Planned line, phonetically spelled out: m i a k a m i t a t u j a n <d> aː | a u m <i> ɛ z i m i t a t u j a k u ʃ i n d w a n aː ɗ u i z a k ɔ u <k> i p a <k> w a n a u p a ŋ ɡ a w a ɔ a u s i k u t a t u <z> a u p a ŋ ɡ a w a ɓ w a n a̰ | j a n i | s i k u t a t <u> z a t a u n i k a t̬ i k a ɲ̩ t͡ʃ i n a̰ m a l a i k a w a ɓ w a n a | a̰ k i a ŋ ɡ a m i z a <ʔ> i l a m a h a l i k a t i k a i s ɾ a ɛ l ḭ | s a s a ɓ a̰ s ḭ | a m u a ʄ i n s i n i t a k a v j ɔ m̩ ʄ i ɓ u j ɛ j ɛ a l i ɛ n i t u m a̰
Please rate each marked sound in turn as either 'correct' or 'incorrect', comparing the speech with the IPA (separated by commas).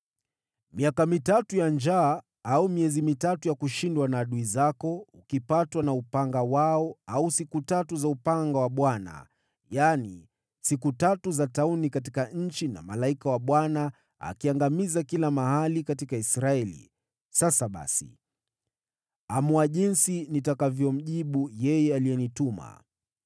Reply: incorrect, correct, correct, incorrect, correct, correct, incorrect